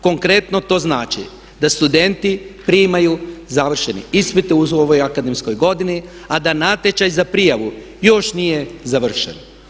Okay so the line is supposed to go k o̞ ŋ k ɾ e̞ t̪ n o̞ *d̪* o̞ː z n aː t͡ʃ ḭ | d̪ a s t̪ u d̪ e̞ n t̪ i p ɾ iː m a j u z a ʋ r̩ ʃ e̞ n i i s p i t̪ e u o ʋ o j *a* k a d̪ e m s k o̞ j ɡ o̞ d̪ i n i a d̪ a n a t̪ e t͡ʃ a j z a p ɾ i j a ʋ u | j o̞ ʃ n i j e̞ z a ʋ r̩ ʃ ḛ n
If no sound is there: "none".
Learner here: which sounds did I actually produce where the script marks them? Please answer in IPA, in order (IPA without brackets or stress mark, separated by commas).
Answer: t̪, a